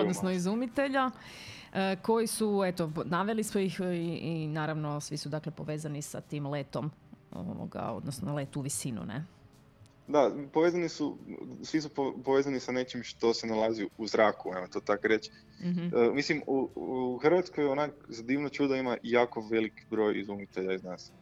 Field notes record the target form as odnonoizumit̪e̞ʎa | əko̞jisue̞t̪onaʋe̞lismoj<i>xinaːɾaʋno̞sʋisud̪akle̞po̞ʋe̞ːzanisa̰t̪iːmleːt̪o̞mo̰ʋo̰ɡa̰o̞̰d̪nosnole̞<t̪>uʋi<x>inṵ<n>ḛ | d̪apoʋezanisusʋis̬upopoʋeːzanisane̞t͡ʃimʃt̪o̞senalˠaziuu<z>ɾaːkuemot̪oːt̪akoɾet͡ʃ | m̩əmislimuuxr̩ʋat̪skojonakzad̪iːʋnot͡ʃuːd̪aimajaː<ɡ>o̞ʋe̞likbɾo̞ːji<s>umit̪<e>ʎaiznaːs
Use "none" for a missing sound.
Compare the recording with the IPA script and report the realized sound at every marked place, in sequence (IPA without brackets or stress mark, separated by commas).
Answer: i, t̪, s, n, z, k, z, e